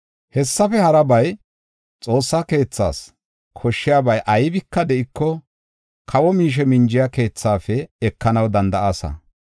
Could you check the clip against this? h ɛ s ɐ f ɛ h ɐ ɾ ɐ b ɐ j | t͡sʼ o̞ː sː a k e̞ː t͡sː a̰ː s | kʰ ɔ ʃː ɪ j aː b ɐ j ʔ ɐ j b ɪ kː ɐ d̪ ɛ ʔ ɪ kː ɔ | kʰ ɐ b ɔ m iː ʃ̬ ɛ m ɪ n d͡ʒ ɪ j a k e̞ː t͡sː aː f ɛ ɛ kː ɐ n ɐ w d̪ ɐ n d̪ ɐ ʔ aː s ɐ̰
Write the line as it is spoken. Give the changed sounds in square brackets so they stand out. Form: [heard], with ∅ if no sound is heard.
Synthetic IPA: h ɛ [sː] ɐ f ɛ h ɐ ɾ ɐ b ɐ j | t͡sʼ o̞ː sː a k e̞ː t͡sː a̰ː s | kʰ ɔ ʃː ɪ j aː b ɐ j ʔ ɐ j b ɪ kː ɐ d̪ ɛ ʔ ɪ kː ɔ | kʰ ɐ [w] ɔ m iː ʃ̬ ɛ m ɪ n d͡ʒ ɪ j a k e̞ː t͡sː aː f ɛ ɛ kː ɐ n ɐ w d̪ ɐ n d̪ ɐ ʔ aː s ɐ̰